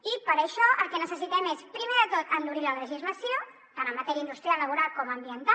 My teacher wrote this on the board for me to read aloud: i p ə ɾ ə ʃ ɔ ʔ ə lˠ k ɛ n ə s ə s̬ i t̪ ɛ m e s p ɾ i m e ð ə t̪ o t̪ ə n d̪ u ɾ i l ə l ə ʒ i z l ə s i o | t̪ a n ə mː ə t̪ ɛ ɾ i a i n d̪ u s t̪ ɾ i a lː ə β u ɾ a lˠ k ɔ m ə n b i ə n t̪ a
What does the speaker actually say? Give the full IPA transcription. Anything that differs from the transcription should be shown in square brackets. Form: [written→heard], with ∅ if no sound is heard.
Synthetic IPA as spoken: i p ə ɾ ə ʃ ɔ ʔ ə lˠ k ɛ n ə s ə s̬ i t̪ ɛ m e s p ɾ i m e ð ə t̪ o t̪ ə n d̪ u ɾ i l ə l ə ʒ i z l ə s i o | t̪ a n ə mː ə t̪ ɛ ɾ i [a→ə] i n d̪ u s t̪ ɾ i a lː ə β u ɾ a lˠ k ɔ m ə [n→m] b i ə n t̪ a